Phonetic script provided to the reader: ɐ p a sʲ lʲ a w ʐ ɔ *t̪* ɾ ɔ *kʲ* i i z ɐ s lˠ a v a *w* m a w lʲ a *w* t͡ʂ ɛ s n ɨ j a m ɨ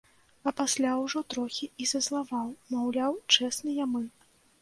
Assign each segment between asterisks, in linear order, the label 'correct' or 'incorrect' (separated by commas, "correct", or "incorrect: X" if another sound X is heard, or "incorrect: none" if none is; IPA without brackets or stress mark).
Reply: correct, incorrect: xʲ, correct, correct